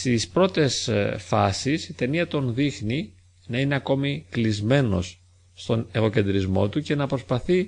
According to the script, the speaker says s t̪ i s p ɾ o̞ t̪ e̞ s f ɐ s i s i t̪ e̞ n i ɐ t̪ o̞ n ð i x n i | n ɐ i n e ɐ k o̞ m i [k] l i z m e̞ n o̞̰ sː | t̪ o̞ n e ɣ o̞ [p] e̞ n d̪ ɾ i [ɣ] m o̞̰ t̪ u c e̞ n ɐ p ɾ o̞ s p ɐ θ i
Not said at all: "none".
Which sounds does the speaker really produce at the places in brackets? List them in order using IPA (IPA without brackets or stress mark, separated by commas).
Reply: k, c, z